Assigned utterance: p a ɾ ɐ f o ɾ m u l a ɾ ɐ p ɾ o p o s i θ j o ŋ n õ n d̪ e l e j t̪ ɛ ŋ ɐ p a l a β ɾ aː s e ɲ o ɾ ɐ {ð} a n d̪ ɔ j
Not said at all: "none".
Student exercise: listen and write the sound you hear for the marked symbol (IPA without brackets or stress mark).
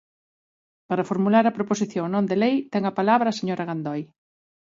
ɣ